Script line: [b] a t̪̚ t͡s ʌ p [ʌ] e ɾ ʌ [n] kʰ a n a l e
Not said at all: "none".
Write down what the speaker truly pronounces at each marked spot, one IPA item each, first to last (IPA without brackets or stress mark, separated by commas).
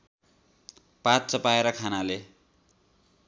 p, a, none